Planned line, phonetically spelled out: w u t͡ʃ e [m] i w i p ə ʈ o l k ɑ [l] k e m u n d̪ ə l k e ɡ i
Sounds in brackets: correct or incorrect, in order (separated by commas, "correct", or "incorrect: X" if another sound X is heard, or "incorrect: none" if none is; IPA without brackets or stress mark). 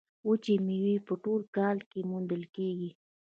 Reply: correct, correct